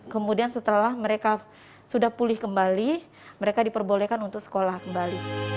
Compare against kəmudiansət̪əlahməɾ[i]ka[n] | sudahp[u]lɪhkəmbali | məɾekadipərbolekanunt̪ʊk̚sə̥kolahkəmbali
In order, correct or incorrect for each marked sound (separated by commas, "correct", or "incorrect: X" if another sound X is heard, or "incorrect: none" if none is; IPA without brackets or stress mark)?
incorrect: e, incorrect: none, correct